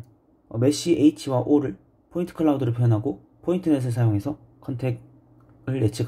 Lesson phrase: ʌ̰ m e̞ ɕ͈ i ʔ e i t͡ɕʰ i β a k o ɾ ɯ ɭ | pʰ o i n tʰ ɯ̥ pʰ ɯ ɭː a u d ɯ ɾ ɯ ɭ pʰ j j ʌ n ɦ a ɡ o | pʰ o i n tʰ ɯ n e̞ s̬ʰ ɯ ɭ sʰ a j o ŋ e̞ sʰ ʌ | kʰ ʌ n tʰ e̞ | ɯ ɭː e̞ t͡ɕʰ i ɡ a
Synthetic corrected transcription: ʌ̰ m e̞ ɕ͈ i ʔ e i t͡ɕʰ i w a ʔ o ɾ ɯ ɭ | pʰ o i n tʰ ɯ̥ kʰ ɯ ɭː a u d ɯ ɾ ɯ ɭ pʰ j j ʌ n ɦ a ɡ o | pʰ o i n tʰ ɯ n e̞ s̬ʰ ɯ ɭ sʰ a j o ŋ e̞ sʰ ʌ | kʰ ʌ n tʰ e̞ | ɯ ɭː e̞ t͡ɕʰ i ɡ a